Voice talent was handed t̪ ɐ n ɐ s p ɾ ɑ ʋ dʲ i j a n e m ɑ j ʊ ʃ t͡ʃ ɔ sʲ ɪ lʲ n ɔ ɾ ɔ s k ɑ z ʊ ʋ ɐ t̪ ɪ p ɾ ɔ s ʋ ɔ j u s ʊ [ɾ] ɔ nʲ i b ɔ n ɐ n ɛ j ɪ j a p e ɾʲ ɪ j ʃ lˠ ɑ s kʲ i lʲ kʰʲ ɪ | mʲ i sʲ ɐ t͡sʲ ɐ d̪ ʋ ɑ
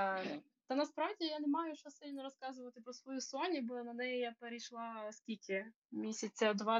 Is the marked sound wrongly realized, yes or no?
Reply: yes